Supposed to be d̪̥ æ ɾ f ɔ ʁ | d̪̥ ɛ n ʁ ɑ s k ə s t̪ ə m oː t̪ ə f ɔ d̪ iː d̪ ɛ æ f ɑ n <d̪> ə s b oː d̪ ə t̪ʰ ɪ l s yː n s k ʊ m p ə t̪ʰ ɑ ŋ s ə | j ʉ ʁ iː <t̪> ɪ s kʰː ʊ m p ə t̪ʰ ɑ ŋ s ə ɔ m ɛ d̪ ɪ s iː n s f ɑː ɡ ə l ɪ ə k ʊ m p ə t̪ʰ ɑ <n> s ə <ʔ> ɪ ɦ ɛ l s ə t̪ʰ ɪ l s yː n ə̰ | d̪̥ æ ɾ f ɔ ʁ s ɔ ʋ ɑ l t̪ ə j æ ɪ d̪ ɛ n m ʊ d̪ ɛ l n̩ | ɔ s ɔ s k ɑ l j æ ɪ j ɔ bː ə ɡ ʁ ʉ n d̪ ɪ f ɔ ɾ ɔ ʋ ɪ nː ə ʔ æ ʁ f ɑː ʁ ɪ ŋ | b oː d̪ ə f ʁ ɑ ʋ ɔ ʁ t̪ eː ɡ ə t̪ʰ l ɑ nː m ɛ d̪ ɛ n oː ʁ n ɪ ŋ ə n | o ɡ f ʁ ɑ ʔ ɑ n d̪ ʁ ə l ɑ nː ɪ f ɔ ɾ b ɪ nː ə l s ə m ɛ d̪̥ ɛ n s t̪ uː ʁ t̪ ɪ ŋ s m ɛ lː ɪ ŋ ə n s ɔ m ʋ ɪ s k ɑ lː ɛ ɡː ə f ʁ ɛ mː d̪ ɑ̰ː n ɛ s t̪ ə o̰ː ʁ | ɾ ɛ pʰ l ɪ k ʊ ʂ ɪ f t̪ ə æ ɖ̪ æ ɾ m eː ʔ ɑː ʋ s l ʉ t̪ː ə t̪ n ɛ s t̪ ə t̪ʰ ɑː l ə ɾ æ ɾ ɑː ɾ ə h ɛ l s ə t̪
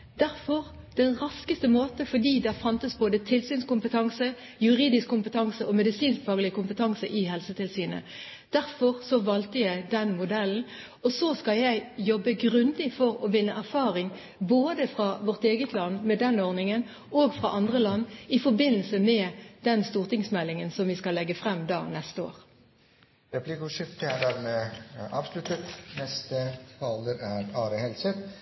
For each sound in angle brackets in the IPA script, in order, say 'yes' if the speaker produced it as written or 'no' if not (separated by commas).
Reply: no, no, no, yes